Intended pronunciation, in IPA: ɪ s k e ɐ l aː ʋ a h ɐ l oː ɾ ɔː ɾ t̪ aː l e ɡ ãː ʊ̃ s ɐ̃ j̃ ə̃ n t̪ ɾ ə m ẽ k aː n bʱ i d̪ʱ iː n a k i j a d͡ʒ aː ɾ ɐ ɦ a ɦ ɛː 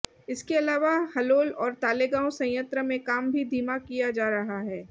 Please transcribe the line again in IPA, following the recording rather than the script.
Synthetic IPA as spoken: ɪ s k e ɐ l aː ʋ a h ɐ l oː l ɔː ɾ t̪ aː l e ɡ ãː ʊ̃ s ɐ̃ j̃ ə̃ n t̪ ɾ ə m ẽ k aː m bʱ i d̪ʱ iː m a k i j a d͡ʒ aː ɾ ɐ ɦ a ɦ ɛː